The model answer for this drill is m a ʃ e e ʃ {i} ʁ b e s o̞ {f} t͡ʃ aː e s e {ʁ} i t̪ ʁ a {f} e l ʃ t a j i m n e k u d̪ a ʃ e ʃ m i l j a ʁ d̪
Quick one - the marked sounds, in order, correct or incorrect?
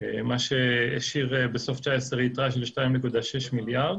correct, correct, correct, incorrect: ʃ

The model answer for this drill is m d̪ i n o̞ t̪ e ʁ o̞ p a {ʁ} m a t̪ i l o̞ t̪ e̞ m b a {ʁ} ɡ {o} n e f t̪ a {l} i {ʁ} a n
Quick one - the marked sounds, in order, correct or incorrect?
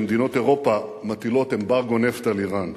incorrect: none, correct, correct, correct, correct

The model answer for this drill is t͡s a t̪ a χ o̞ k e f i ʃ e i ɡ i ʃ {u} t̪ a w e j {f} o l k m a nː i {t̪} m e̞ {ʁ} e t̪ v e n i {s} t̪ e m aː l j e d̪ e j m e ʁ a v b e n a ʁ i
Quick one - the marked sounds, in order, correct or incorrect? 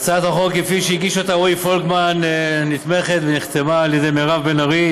incorrect: o, correct, correct, incorrect: χ, incorrect: χ

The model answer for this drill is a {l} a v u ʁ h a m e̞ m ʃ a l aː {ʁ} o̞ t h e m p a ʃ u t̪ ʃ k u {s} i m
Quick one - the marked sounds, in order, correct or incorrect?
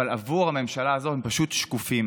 correct, incorrect: z, incorrect: f

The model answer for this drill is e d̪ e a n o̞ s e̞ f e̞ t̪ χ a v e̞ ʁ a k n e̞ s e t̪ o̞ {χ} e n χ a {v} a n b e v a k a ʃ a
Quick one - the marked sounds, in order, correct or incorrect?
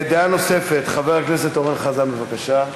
incorrect: ʁ, incorrect: z

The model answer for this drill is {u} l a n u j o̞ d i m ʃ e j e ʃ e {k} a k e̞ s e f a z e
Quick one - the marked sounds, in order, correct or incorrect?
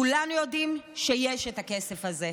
correct, incorrect: t

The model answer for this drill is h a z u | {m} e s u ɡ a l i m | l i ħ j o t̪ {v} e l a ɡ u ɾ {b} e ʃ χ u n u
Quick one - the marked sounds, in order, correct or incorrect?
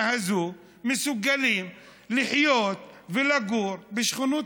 correct, correct, correct

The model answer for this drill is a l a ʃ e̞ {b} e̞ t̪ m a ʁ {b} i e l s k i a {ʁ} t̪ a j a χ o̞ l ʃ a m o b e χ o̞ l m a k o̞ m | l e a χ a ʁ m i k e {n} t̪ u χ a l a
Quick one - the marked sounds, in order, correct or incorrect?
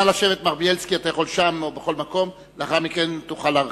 incorrect: v, correct, incorrect: none, correct

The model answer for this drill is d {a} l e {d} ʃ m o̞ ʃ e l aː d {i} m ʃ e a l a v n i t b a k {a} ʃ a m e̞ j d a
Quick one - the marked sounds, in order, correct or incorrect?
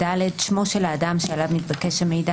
correct, correct, incorrect: a, incorrect: e

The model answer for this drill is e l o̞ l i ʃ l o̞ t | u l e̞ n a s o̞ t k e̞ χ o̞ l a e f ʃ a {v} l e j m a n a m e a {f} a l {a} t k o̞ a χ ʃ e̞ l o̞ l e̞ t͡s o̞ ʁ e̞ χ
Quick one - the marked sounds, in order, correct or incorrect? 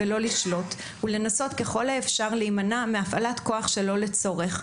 incorrect: ʁ, correct, correct

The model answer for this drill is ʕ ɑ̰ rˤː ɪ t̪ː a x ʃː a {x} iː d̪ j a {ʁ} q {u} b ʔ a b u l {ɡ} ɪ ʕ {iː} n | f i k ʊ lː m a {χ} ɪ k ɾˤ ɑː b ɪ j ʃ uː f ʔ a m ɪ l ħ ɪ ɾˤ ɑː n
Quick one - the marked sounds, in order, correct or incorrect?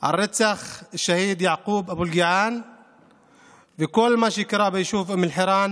incorrect: h, incorrect: ʕ, incorrect: uː, correct, incorrect: aː, incorrect: ʃ

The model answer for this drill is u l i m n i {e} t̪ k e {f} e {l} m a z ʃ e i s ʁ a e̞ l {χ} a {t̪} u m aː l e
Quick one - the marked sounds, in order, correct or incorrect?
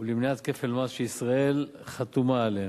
incorrect: a, correct, correct, correct, correct

